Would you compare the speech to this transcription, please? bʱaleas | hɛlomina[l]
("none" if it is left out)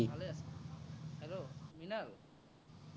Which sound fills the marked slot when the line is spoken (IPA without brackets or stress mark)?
l